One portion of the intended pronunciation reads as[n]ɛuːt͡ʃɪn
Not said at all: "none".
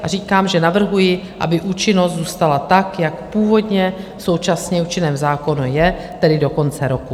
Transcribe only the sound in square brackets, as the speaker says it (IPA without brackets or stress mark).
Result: ɲ